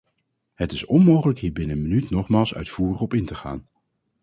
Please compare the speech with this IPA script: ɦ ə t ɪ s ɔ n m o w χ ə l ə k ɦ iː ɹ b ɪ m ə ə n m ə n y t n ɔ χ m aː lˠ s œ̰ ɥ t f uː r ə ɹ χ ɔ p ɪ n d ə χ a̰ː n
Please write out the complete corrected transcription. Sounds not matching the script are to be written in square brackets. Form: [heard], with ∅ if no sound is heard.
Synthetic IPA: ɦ ə t ɪ s ɔ n m o w χ ə l ə k ɦ iː ɹ b ɪ [n] ə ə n m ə n y t n ɔ χ m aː lˠ s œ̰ ɥ t f uː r ə [∅] χ ɔ p ɪ n [t] ə χ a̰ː n